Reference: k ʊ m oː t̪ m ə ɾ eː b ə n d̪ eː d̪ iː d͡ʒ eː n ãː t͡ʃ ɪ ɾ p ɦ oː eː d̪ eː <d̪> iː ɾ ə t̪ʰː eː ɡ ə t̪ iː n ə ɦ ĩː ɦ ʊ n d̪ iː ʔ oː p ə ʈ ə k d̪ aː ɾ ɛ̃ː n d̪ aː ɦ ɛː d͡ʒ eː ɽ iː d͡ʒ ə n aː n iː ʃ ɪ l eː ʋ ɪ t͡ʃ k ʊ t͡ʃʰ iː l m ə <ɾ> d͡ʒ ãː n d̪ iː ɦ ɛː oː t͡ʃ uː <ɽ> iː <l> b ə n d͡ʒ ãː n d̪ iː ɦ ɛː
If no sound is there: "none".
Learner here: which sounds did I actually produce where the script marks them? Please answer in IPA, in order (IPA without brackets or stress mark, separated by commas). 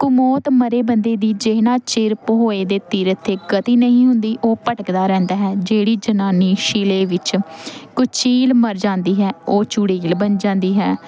t̪, ɾ, ɽ, l